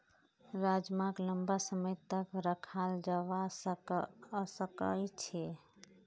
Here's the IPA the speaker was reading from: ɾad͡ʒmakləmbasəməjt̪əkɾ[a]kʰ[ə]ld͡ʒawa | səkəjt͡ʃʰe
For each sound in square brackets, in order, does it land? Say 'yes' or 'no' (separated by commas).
no, no